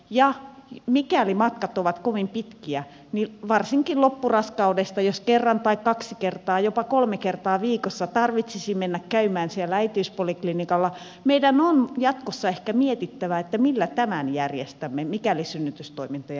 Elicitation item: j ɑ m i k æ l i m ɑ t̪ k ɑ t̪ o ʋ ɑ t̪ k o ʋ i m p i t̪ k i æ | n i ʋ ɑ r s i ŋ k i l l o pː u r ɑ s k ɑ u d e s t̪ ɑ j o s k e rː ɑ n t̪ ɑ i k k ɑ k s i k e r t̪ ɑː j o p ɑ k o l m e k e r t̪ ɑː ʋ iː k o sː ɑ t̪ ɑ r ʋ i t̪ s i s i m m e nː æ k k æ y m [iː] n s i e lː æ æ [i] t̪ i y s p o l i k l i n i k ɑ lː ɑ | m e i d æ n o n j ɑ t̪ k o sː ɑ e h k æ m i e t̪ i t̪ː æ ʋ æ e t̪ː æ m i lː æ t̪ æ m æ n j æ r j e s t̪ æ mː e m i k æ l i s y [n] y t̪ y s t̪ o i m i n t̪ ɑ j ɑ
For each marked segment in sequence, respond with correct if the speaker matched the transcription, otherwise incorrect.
incorrect: æː, correct, incorrect: nː

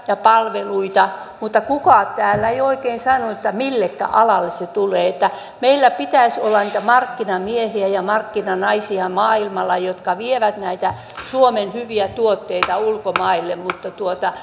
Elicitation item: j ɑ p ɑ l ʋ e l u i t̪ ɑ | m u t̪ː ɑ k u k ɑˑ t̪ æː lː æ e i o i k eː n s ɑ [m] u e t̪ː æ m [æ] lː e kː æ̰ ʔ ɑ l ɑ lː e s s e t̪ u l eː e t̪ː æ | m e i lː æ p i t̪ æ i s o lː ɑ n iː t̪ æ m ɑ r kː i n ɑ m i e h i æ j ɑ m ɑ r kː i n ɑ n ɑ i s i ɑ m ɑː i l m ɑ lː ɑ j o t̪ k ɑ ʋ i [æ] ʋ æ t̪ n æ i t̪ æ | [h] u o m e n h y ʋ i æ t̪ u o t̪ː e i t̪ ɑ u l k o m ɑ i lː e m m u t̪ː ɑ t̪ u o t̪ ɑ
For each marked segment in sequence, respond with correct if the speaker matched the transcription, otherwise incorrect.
incorrect: n, incorrect: i, incorrect: e, incorrect: s

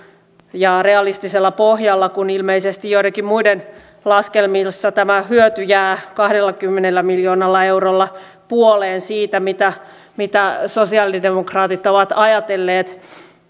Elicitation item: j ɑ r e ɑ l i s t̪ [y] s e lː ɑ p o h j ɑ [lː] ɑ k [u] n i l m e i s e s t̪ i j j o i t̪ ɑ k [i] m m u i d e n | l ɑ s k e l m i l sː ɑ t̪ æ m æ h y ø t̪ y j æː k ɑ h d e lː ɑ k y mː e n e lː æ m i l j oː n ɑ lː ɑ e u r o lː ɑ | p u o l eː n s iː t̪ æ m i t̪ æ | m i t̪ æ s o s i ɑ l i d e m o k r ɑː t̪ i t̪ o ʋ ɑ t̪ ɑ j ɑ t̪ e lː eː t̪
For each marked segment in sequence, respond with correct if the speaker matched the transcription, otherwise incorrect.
incorrect: i, correct, correct, correct

